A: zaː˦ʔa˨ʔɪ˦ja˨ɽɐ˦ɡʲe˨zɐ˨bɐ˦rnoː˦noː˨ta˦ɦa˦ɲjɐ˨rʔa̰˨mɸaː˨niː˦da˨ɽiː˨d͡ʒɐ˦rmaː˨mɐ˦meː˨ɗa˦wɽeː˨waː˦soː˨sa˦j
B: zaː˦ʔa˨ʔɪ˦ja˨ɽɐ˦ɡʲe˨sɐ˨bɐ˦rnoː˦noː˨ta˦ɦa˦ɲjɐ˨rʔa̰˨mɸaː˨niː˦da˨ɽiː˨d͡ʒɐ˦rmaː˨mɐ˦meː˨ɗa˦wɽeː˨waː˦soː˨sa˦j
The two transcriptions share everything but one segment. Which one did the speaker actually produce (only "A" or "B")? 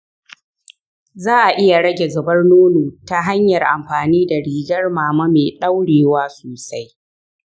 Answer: A